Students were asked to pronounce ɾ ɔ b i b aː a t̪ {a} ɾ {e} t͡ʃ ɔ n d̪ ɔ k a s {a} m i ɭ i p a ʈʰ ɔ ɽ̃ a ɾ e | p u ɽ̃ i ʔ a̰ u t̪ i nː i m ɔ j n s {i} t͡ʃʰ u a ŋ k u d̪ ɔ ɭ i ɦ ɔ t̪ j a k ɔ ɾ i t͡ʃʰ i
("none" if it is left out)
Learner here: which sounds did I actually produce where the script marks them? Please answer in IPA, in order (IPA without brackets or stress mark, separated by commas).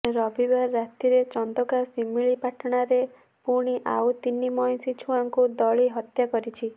i, e, i, i